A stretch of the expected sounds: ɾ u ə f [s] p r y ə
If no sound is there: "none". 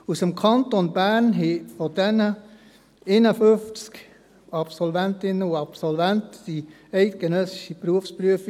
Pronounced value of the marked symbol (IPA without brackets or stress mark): s